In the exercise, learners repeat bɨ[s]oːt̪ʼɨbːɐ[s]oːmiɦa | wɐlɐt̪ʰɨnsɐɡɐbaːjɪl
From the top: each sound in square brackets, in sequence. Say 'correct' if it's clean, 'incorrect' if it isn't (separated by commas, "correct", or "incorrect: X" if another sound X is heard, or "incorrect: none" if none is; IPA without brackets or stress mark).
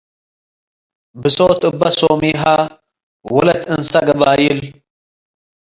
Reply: correct, correct